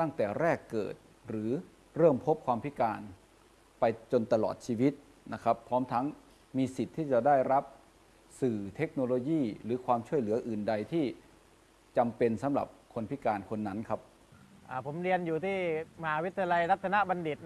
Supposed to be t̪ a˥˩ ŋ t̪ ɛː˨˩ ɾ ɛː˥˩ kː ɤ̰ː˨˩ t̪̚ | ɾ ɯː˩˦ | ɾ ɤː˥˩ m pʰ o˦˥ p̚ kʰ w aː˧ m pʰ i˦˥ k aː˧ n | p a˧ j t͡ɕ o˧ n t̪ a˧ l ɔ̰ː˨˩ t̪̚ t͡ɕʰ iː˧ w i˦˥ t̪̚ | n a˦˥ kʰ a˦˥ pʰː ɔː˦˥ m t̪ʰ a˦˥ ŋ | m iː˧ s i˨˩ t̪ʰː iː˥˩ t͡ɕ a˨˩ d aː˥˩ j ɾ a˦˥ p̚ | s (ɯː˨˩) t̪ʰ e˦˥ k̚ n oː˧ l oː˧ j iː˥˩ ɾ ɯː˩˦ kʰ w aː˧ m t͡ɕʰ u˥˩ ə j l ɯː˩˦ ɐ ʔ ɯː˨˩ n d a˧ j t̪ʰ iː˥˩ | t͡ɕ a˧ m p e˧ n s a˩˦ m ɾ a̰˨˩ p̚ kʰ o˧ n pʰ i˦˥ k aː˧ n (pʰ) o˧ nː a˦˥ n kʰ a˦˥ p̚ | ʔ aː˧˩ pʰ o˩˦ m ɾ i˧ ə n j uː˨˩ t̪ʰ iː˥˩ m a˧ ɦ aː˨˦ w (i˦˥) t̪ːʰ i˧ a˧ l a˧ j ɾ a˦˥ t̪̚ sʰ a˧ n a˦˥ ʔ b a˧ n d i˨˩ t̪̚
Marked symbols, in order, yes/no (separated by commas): yes, no, yes